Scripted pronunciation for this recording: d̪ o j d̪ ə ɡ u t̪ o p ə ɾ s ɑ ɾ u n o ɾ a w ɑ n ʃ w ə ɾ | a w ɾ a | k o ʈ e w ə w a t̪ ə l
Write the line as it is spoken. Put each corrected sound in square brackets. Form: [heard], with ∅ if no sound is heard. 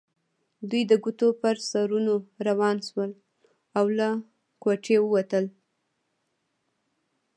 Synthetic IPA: d̪ [u] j d̪ ə ɡ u t̪ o p ə ɾ s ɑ ɾ u n o ɾ a w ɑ n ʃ w ə [l] | a w [l] a | k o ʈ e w ə w a t̪ ə l